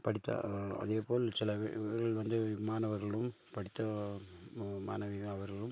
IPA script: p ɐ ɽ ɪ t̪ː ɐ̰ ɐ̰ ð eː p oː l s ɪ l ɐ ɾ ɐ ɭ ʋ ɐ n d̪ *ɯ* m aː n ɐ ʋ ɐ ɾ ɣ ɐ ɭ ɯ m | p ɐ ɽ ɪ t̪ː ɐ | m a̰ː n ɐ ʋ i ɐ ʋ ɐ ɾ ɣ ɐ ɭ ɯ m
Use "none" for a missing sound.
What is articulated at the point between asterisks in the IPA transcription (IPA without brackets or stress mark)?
ɯ